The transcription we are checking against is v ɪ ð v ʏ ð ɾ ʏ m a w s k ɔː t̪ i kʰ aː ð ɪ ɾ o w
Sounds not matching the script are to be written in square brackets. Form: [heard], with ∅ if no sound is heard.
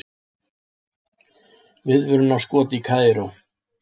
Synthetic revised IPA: v ɪ ð v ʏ [∅] ɾ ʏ [n] a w s k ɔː t̪ i kʰ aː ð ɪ ɾ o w